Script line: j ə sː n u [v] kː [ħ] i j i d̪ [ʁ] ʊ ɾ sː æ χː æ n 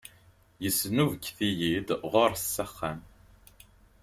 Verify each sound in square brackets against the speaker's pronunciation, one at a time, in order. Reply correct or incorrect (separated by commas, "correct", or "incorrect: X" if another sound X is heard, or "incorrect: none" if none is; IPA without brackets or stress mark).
correct, incorrect: θ, correct